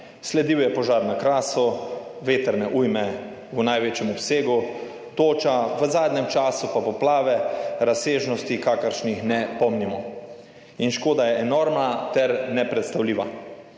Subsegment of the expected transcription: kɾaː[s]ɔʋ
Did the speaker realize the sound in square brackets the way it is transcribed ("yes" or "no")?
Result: yes